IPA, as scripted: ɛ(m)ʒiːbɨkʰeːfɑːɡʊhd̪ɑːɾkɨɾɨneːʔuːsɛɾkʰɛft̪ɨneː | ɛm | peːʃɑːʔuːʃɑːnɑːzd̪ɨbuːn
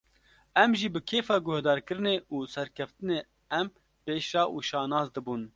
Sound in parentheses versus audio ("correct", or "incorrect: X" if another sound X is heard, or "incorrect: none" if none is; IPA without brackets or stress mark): correct